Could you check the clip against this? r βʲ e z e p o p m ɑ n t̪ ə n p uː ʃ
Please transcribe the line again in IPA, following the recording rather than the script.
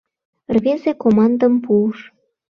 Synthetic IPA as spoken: r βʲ e z e k o m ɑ n d̪ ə m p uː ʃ